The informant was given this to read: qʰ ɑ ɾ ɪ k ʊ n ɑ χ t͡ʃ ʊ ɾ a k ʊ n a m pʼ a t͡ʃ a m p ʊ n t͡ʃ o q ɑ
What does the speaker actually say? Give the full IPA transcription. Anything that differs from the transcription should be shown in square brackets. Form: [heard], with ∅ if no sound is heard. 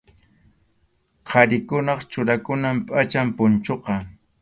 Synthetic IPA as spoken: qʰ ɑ ɾ ɪ k ʊ n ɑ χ t͡ʃ ʊ ɾ a k ʊ n a m pʼ a t͡ʃ a m p ʊ n t͡ʃ o q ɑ